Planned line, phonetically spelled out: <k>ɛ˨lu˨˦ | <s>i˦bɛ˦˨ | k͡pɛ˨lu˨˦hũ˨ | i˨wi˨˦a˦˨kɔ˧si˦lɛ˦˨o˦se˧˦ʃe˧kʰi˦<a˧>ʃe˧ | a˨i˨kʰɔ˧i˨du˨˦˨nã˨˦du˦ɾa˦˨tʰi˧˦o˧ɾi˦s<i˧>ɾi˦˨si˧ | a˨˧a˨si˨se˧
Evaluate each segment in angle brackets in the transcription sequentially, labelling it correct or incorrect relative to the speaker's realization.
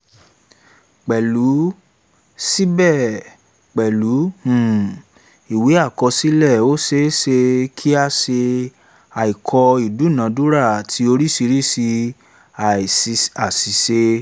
incorrect: k͡p, correct, correct, correct

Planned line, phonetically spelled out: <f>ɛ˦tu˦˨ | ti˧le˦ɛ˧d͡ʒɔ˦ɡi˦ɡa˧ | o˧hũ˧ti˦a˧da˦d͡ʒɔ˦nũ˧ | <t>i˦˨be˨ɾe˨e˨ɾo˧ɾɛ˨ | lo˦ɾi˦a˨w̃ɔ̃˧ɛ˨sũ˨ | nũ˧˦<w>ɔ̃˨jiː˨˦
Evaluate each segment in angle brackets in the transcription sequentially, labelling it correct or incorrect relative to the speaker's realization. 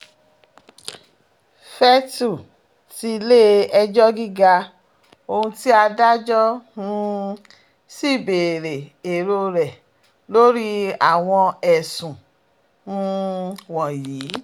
correct, incorrect: s, correct

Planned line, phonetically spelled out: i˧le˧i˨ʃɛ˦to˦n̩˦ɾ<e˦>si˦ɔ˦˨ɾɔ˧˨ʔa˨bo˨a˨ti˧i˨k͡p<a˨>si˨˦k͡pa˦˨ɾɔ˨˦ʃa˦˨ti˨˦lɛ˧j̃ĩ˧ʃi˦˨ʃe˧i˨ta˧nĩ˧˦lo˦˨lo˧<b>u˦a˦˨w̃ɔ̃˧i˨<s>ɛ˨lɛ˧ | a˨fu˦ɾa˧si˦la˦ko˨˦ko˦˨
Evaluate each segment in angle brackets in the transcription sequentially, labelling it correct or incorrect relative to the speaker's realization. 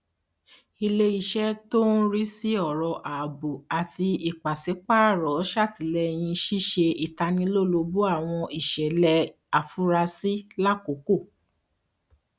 incorrect: i˦, correct, correct, incorrect: ʃ

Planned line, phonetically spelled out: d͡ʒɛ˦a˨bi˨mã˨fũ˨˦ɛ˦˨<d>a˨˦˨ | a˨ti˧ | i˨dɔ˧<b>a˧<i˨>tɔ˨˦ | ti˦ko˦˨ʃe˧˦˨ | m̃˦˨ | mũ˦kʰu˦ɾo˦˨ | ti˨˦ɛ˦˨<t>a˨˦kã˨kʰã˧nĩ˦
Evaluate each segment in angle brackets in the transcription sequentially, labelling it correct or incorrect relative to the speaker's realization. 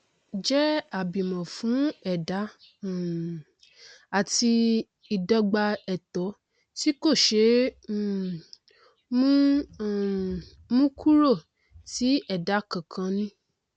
correct, incorrect: ɡ͡b, incorrect: ɛ˨, incorrect: d

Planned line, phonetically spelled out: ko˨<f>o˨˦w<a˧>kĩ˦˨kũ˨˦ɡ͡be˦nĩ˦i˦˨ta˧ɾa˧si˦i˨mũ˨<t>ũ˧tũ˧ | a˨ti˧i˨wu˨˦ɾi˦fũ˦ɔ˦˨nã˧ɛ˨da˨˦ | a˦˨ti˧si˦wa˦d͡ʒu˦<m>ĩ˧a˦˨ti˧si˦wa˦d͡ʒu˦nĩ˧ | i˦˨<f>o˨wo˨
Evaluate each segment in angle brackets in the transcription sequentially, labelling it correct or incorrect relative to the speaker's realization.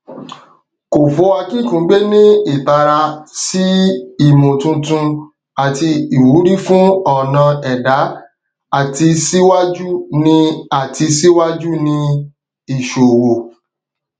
correct, correct, correct, incorrect: n, incorrect: ʃ

